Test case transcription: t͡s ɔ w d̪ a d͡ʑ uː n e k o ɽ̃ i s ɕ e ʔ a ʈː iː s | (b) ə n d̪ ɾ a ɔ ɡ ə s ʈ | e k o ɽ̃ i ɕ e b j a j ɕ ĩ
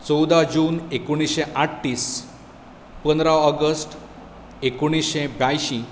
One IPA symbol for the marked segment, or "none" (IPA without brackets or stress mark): p